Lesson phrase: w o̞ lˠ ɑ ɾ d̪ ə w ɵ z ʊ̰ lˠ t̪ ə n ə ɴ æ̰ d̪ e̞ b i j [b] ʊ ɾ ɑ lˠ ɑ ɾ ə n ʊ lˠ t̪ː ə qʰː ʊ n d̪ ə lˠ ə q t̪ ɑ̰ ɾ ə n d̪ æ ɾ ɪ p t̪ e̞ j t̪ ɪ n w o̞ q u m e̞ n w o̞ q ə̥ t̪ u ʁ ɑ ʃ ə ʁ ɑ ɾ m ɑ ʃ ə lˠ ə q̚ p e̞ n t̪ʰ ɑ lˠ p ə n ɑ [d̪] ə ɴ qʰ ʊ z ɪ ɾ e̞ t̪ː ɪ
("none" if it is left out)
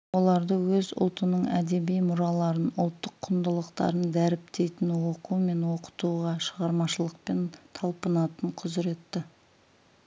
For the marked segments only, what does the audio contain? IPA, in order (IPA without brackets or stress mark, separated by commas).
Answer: m, t̪